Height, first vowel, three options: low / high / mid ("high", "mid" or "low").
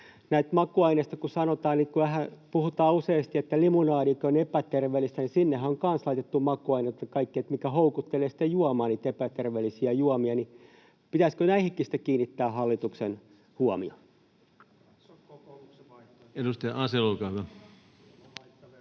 low